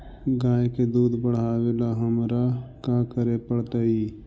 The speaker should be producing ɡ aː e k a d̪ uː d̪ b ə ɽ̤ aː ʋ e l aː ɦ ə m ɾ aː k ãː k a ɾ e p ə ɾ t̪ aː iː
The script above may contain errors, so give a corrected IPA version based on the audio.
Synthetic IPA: ɡ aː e k e d̪ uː d̪ b ə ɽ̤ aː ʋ e l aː ɦ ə m ɾ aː k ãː k ə ɾ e p ə ɽ t̪ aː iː

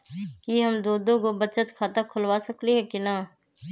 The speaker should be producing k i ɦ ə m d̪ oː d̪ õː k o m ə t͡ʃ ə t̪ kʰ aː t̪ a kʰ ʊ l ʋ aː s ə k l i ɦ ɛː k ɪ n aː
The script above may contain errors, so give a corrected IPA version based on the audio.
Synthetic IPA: k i ɦ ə m d̪ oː d̪ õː k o b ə t͡ʃ ə t̪ kʰ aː t̪ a kʰ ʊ l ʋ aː s ə k l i ɦ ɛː k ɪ n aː

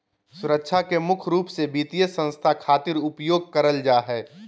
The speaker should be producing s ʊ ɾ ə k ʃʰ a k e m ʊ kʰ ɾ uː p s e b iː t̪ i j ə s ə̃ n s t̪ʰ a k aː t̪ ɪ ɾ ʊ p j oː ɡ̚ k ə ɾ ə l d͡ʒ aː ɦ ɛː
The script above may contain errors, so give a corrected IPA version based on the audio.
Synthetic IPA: s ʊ ɾ ə k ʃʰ a k e m ʊ kʰ ɾ uː p s e b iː t̪ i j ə s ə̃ n s t̪ʰ a kʰ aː t̪ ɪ ɾ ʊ p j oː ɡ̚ k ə ɾ ə l d͡ʒ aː ɦ ɛː

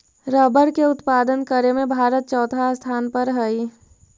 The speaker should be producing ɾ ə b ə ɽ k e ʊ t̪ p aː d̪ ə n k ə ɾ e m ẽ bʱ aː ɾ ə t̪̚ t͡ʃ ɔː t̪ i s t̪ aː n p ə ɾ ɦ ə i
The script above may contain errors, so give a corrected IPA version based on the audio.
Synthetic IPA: ɾ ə b ə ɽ k e ʊ t̪ p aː d̪ ə n k ə ɾ e m ẽ bʱ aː ɾ ə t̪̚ t͡ʃ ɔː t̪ a s t̪ʰ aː n p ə ɾ ɦ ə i

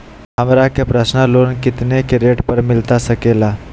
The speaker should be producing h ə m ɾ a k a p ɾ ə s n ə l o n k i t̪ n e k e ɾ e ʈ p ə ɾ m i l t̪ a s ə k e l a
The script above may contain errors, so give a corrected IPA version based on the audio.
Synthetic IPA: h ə m ɾ a k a p ɾ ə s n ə l o n k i t̪ n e k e ɾ e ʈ p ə ɾ m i l t̪ a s ə k e l a

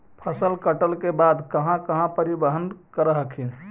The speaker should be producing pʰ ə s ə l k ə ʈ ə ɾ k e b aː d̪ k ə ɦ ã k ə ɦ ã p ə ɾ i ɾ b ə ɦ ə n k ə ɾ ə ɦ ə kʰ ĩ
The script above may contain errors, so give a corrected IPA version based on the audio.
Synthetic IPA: pʰ ə s ə l k ə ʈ ə l k e b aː d̪ k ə ɦ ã k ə ɦ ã p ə ɾ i b ə ɦ ə n k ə ɾ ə ɦ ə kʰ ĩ

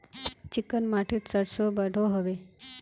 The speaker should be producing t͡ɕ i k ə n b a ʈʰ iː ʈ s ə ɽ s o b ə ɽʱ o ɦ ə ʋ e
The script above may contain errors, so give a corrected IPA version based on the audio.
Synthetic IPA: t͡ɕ i k ə n m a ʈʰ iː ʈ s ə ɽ s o b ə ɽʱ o ɦ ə ʋ e

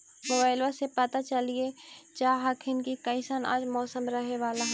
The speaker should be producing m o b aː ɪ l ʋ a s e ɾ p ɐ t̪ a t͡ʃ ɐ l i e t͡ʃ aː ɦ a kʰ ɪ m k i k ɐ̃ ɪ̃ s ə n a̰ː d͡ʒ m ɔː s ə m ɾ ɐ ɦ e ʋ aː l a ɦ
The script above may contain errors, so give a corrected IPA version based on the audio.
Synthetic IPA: m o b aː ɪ l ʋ a s e p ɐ t̪ a t͡ʃ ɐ l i e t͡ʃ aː ɦ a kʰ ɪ n k i k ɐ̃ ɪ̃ s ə n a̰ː d͡ʒ m ɔː s ə m ɾ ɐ ɦ e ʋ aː l a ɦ

